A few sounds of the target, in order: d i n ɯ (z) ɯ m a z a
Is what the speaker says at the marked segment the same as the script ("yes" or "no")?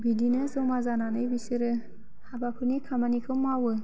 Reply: yes